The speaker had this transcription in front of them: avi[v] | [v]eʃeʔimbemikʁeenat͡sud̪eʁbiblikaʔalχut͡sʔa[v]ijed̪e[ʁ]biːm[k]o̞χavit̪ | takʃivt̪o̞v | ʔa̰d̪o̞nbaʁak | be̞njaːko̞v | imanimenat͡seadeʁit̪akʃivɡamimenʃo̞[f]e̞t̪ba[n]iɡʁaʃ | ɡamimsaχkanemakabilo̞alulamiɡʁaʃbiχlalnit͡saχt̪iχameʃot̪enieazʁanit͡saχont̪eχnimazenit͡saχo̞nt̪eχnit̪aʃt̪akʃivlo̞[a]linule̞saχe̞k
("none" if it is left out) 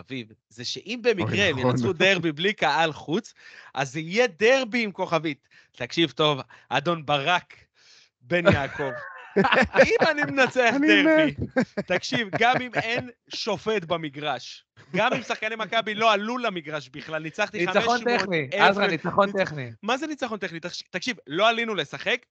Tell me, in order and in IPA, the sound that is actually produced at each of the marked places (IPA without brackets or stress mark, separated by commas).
v, z, z, ʁ, k, f, m, a